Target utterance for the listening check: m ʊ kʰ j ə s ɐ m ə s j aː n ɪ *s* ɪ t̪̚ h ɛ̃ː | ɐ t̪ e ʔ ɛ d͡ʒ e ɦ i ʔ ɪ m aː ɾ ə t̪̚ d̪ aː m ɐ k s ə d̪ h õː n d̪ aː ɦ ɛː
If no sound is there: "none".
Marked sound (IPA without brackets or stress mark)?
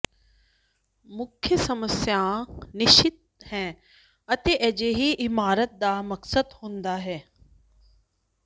ʃ